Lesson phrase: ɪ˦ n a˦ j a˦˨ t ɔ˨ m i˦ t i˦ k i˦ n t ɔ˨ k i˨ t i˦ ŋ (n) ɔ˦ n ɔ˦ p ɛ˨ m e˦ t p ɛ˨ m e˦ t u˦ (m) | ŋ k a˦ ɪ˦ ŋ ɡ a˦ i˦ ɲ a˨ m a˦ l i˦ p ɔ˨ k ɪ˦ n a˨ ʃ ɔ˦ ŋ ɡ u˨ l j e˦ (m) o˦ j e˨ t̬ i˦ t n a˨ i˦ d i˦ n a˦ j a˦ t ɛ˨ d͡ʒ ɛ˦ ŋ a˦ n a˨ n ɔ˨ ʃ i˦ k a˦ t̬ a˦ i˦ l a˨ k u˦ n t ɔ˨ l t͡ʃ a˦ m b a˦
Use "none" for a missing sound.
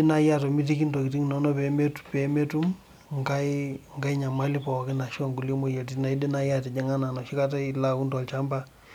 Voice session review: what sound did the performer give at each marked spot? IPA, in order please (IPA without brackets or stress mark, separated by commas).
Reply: n, m, m